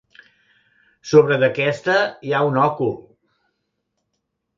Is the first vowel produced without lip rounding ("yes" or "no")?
no